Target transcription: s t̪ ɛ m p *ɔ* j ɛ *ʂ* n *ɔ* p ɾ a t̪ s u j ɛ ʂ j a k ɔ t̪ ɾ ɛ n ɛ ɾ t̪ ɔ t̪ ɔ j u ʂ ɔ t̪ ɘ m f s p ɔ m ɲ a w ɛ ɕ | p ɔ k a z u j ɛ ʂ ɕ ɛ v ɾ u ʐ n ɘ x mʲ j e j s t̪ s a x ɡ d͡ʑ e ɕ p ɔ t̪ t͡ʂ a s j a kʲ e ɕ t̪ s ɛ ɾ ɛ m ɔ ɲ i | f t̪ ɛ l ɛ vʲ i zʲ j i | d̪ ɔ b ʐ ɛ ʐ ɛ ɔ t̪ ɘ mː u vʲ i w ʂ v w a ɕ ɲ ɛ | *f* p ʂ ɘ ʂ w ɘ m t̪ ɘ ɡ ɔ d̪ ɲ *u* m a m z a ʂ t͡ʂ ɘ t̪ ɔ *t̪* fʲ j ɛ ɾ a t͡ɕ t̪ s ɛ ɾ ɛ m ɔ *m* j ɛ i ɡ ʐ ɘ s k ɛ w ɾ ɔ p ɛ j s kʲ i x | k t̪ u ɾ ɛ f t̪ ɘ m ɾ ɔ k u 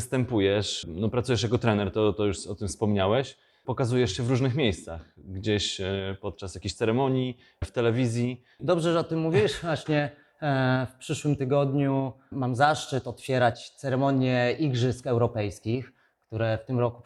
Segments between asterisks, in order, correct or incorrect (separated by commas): incorrect, correct, correct, correct, correct, correct, incorrect